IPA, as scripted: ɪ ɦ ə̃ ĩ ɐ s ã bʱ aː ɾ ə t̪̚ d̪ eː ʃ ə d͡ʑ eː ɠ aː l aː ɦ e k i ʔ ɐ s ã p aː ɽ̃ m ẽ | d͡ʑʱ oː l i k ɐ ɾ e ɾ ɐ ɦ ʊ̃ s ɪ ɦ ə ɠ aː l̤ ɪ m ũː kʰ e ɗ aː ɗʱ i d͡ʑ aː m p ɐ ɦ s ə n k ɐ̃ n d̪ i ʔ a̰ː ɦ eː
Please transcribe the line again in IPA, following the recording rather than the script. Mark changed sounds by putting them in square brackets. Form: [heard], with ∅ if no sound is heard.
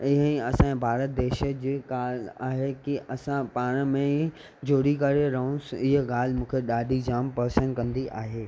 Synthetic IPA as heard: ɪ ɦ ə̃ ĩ ɐ s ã bʱ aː ɾ ə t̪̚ d̪ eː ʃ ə d͡ʑ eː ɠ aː l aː ɦ e k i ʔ ɐ s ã p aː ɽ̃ m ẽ | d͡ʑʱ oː [ɽ] i k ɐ ɾ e ɾ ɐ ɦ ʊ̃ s ɪ ɦ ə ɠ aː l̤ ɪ m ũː kʰ e ɗ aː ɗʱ i d͡ʑ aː m p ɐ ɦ s ə n k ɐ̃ n d̪ i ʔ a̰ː ɦ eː

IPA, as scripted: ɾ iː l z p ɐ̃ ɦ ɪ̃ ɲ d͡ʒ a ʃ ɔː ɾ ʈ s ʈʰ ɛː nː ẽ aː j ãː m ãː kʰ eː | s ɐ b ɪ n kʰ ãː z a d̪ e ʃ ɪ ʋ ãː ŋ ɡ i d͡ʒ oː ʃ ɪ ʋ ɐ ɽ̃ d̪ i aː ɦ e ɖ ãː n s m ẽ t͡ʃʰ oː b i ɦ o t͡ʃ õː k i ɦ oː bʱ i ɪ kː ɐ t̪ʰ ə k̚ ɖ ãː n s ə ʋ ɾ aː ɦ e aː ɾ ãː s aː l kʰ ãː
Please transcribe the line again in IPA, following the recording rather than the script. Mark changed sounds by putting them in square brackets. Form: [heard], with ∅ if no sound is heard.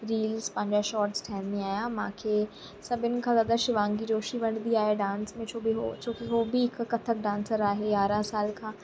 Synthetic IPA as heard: ɾ iː l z p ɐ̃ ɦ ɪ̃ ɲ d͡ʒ a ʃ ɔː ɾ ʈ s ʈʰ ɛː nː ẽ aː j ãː m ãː kʰ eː | s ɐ b ɪ n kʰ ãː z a d̪ [a] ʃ ɪ ʋ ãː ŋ ɡ i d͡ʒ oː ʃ [i] ʋ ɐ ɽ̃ d̪ i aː ɦ e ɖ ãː n s m ẽ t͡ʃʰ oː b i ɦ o t͡ʃ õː k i ɦ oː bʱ i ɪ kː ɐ t̪ʰ ə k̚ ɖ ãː n s ə [∅] ɾ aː ɦ e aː ɾ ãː s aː l kʰ ãː

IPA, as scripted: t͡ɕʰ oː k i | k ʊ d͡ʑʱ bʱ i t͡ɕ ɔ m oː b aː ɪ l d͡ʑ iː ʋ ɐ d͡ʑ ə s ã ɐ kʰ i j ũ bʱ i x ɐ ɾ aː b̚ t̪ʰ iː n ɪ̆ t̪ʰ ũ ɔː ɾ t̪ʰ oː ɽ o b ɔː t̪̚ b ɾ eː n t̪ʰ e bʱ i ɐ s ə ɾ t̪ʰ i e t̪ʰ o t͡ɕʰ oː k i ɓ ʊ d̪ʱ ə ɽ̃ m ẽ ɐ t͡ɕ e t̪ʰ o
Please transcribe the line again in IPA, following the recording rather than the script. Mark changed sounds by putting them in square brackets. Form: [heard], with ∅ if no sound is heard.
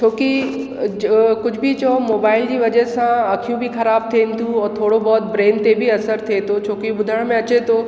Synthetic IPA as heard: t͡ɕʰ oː k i | k ʊ d͡ʑʱ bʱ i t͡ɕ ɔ m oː b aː ɪ l d͡ʑ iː ʋ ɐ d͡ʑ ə s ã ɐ kʰ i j ũ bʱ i x ɐ ɾ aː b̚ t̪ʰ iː n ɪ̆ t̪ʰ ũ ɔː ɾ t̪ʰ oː ɽ o b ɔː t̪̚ b ɾ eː n [t̪] e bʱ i ɐ s ə ɾ t̪ʰ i e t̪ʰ o t͡ɕʰ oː k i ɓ ʊ d̪ʱ ə ɽ̃ m ẽ ɐ t͡ɕ e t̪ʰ o

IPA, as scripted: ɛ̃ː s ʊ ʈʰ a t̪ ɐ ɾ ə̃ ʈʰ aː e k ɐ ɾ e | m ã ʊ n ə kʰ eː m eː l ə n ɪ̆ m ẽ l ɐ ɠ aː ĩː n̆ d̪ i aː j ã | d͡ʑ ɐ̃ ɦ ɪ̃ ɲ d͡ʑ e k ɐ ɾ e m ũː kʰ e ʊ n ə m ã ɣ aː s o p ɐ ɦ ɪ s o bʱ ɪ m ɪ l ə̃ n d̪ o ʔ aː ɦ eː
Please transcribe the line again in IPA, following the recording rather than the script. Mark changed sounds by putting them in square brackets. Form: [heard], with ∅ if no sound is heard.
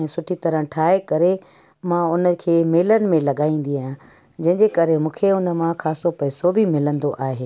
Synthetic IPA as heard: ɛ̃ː s ʊ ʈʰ [i] t̪ ɐ ɾ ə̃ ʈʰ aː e k ɐ ɾ e | m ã ʊ n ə kʰ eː m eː l ə n ɪ̆ m ẽ l ɐ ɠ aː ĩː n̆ d̪ i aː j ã | d͡ʑ ɐ̃ ɦ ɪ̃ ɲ d͡ʑ e k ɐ ɾ e m ũː kʰ e ʊ n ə m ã [x] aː s o p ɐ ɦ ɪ s o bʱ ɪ m ɪ l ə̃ n d̪ o ʔ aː ɦ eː

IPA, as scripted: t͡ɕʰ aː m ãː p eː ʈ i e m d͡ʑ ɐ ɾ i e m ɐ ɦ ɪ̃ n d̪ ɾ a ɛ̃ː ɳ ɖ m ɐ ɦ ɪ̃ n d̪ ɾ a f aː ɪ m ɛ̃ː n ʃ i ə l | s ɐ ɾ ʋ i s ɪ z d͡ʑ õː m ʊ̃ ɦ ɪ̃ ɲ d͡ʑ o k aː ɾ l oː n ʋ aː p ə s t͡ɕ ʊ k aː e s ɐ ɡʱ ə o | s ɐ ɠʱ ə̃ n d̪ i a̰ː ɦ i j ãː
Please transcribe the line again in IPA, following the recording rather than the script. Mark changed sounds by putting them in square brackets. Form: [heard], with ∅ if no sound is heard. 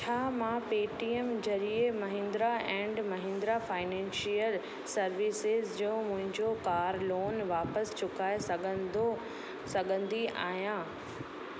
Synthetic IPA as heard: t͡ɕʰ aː m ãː p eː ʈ i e m d͡ʑ ɐ ɾ i e m ɐ ɦ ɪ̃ n d̪ ɾ a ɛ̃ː ɳ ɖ m ɐ ɦ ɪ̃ n d̪ ɾ a f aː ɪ [n] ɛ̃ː n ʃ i ə l | s ɐ ɾ ʋ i s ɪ z d͡ʑ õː m ʊ̃ ɦ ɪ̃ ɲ d͡ʑ o k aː ɾ l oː n ʋ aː p ə s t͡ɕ ʊ k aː e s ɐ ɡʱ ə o | s ɐ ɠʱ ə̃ n d̪ i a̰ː ɦ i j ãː

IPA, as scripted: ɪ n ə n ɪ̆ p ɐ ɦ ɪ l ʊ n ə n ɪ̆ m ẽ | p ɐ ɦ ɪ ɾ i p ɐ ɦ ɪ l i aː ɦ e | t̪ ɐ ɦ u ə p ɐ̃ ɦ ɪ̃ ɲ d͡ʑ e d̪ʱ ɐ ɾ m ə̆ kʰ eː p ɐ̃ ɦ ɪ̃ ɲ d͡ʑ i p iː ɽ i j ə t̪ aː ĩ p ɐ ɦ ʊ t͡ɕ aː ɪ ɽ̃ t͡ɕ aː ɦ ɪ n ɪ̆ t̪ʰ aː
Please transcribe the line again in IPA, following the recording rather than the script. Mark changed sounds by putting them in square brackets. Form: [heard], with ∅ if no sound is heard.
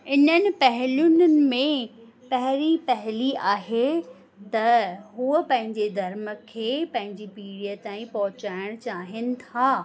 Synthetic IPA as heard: ɪ n ə n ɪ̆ p ɐ ɦ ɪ l ʊ n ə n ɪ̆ m ẽ | p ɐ ɦ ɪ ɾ i p ɐ ɦ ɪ l i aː ɦ e | t̪ ɐ ɦ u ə p ɐ̃ ɦ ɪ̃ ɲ d͡ʑ e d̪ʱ ɐ ɾ m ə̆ kʰ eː p ɐ̃ ɦ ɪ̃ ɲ d͡ʑ i p iː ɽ i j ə t̪ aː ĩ p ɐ ɦ ʊ t͡ɕ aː ɪ ɽ̃ t͡ɕ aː ɦ ɪ n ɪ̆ t̪ʰ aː

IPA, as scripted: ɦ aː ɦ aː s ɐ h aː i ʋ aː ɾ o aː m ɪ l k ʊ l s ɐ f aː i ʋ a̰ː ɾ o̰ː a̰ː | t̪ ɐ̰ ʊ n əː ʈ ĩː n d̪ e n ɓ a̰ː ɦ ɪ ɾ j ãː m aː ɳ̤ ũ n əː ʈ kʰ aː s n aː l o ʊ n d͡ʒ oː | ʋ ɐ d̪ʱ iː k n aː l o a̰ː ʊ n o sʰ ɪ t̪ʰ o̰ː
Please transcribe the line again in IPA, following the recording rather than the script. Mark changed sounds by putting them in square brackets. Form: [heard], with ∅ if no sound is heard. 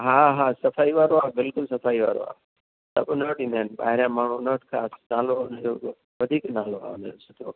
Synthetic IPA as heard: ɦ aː ɦ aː s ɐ [f] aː i ʋ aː ɾ o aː [b] ɪ l k ʊ l s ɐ f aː i ʋ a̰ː ɾ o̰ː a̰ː | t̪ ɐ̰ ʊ n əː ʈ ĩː n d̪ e n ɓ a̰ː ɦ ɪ ɾ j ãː m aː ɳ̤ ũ n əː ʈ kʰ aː s n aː l o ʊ n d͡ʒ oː | ʋ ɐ d̪ʱ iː k n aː l o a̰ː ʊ n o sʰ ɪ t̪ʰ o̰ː

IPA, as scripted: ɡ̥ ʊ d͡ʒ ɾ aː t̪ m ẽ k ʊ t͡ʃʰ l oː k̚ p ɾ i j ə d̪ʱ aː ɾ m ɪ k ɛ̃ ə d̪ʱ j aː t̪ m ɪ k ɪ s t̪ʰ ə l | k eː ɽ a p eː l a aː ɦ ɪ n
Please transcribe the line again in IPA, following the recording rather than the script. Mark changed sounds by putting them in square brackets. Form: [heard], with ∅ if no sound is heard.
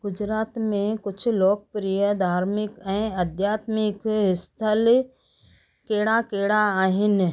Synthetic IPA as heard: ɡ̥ ʊ d͡ʒ ɾ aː t̪ m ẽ k ʊ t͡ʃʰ l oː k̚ p ɾ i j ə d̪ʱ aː ɾ m ɪ k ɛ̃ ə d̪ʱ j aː t̪ m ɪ k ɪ s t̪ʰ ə l | k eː ɽ a [k] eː [ɽ] a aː ɦ ɪ n

